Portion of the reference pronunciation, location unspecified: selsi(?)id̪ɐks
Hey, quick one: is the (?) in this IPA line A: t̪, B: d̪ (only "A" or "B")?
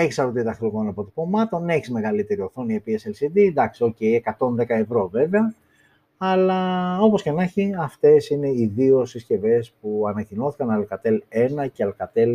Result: B